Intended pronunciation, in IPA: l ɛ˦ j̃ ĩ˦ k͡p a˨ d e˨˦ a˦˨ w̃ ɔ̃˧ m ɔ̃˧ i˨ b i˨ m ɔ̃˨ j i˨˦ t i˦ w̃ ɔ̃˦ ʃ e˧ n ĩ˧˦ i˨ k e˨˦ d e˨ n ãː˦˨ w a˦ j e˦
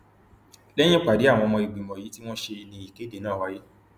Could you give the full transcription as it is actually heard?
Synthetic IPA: l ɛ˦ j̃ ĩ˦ k͡p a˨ d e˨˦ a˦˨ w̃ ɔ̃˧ m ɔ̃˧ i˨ ɡ͡b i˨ m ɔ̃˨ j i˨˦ t i˦ w̃ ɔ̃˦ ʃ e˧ n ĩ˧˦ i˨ k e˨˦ d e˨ n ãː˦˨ w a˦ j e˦